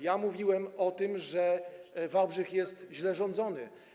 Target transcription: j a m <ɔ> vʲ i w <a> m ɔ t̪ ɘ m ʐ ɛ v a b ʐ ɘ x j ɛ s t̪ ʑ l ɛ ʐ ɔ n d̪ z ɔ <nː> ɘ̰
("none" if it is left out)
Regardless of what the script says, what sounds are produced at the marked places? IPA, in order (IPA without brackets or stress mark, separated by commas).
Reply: u, ɛ, n